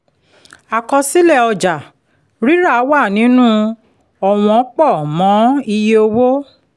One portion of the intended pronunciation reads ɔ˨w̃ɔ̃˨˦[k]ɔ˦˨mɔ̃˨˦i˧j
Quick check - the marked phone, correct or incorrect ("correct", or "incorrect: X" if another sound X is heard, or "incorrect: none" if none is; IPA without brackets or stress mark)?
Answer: incorrect: k͡p